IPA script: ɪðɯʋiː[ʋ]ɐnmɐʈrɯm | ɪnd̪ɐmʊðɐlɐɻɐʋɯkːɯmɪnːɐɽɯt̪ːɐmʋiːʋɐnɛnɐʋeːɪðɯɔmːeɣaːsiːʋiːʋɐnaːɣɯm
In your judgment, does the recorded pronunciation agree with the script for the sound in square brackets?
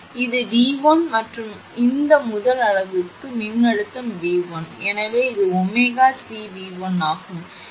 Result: yes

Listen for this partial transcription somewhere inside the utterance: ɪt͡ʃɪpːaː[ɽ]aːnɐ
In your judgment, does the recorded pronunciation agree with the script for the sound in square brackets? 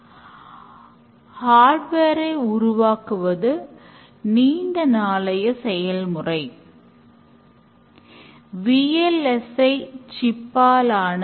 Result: no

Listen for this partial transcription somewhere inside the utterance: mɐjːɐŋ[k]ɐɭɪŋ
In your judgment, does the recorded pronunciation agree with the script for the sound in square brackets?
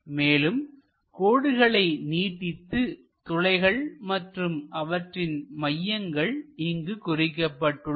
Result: no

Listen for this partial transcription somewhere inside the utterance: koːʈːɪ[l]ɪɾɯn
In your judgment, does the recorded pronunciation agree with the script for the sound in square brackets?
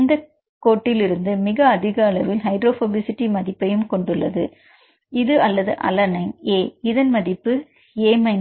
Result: yes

